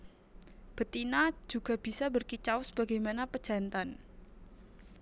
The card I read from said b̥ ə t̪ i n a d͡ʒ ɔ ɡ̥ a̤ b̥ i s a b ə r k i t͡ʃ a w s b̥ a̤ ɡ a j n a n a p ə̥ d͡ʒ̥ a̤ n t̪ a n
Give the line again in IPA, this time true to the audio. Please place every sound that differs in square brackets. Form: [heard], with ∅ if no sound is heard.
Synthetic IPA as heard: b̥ ə t̪ i n a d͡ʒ [u] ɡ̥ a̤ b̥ i s a b ə r k i t͡ʃ a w s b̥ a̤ ɡ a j [m] a n a p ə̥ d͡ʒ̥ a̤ n t̪ a n